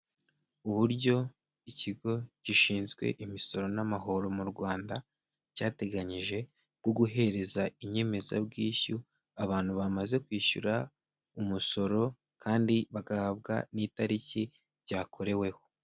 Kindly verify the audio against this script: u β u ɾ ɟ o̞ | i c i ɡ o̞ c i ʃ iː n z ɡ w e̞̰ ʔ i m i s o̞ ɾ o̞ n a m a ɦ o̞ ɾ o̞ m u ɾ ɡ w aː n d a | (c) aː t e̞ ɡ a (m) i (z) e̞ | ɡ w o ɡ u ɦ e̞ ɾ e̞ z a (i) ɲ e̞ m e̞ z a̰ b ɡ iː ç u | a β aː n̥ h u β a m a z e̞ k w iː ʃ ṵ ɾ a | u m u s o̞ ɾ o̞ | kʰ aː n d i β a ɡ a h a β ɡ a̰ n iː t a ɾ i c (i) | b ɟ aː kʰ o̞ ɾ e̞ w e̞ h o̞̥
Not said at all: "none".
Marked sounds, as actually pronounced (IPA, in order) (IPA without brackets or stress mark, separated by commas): c, ɲ, ʒ, i, i